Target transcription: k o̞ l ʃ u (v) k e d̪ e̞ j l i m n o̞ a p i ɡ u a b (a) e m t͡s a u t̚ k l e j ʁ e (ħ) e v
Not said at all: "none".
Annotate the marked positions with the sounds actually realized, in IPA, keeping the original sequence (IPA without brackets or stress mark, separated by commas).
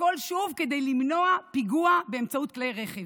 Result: v, e, χ